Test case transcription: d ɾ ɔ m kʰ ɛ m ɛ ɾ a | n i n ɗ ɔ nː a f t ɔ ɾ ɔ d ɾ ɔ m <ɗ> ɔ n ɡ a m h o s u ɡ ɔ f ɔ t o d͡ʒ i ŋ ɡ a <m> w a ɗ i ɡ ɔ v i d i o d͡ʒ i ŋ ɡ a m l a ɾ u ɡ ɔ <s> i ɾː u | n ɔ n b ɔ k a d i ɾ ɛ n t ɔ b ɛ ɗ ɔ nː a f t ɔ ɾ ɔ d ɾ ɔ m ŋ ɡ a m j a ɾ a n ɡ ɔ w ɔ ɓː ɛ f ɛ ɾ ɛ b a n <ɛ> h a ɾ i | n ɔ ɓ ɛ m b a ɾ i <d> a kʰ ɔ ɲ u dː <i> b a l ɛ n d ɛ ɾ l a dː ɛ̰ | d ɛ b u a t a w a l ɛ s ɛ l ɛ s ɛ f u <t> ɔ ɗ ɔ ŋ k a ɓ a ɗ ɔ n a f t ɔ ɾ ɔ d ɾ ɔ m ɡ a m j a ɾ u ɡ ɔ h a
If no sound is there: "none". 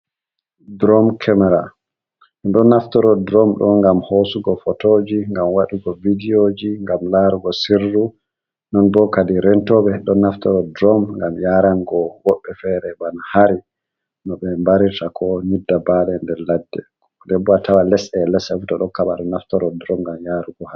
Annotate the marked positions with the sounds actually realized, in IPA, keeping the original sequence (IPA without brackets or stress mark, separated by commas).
ɗ, m, s, a, t, a, t